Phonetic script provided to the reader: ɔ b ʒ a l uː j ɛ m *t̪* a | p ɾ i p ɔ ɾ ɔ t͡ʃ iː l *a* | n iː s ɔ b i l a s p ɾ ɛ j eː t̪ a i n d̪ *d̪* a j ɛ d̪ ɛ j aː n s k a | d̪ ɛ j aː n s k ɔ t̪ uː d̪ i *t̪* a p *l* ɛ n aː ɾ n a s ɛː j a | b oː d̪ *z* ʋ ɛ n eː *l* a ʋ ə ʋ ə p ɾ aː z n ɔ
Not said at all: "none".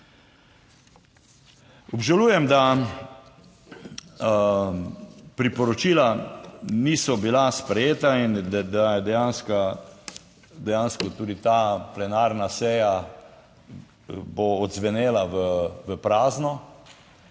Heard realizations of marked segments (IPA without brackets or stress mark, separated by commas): d̪, a, d̪, t̪, l, z, l